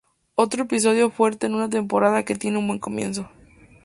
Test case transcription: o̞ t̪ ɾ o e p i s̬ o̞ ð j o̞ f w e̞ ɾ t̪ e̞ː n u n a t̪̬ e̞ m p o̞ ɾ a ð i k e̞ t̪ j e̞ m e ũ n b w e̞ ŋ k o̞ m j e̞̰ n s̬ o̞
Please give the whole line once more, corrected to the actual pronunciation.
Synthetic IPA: o̞ t̪ ɾ o e p i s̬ o̞ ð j o̞ f w e̞ ɾ t̪ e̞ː n u n a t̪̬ e̞ m p o̞ ɾ a ð a k e̞ t̪ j e̞ n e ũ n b w e̞ ŋ k o̞ m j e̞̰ n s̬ o̞